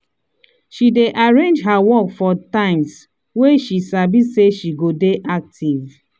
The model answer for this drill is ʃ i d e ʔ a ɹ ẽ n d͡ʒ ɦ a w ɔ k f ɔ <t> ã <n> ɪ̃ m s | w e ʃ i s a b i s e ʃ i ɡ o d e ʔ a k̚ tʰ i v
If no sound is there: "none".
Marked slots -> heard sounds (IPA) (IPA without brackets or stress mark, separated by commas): t, none